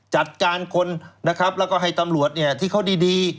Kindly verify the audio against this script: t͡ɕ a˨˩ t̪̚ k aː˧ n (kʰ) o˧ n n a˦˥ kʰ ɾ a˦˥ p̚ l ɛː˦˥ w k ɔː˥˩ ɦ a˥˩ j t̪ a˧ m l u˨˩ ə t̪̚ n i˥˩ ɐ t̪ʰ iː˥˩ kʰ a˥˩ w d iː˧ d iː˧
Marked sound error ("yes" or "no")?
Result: no